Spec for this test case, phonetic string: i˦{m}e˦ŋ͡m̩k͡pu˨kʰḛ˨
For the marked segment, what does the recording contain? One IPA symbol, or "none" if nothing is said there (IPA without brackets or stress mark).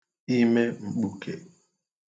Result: m